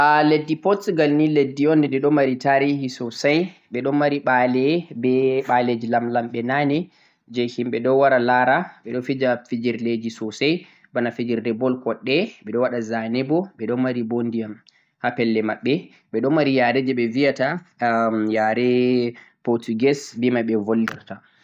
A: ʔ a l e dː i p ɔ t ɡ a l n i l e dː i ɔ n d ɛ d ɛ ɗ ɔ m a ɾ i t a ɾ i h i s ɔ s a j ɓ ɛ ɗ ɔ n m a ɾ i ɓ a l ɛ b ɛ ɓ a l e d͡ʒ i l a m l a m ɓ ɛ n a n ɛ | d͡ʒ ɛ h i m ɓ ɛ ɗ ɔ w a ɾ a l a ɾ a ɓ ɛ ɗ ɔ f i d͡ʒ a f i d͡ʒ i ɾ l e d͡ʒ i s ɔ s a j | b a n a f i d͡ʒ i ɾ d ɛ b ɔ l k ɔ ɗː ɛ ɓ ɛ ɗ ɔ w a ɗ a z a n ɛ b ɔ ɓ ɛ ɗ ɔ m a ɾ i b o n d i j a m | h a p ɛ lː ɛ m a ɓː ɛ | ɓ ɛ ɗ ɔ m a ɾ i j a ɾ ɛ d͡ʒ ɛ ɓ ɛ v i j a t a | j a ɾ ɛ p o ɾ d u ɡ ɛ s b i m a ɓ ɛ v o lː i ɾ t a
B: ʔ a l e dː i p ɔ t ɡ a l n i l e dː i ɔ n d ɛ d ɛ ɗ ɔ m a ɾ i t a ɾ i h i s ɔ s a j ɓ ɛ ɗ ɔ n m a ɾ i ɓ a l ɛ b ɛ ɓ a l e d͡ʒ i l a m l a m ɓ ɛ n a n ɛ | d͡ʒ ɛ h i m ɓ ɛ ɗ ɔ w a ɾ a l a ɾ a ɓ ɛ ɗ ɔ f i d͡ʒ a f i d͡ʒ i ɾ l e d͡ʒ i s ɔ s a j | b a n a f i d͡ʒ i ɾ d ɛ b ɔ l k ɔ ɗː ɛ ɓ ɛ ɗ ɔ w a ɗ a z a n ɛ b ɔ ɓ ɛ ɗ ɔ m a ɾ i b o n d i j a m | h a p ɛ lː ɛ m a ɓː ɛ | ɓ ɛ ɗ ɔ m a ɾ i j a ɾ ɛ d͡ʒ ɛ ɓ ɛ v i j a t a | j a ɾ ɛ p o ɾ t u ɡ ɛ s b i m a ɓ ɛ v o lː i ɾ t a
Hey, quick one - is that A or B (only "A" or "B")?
B